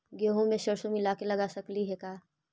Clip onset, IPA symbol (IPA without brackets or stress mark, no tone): ɡ